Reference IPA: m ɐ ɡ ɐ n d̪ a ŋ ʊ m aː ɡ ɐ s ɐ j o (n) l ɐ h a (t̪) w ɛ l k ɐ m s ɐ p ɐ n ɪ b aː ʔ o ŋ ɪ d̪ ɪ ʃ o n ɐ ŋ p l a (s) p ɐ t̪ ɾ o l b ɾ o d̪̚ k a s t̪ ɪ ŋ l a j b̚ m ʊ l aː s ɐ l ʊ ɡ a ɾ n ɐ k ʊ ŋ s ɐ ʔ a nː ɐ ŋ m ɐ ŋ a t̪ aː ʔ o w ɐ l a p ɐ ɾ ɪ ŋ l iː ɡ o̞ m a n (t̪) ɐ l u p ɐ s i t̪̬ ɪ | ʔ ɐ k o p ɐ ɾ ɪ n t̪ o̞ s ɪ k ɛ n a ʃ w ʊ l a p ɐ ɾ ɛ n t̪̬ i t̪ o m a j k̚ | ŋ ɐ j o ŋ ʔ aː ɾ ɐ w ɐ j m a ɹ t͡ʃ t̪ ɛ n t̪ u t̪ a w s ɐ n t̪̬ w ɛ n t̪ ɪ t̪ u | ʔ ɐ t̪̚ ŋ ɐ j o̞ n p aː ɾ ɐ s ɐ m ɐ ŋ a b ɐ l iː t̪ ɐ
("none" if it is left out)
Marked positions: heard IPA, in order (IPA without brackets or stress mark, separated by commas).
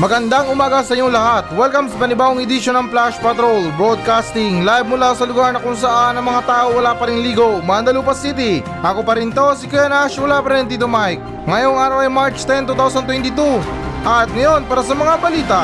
ŋ, t̪, ʃ, d̪